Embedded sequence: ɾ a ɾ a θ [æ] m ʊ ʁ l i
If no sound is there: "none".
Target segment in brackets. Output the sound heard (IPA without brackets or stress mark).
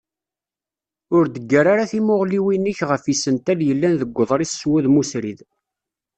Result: i